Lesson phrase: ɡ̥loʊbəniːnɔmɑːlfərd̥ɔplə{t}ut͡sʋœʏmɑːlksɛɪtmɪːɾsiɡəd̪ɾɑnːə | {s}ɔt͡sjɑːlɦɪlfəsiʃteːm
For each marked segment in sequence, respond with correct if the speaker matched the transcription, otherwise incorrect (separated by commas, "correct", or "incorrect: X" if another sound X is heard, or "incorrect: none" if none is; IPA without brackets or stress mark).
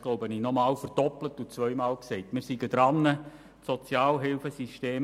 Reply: correct, correct